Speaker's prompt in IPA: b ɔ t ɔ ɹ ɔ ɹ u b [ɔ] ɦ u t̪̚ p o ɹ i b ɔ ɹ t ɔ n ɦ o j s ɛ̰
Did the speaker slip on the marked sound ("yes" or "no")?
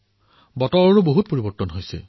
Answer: yes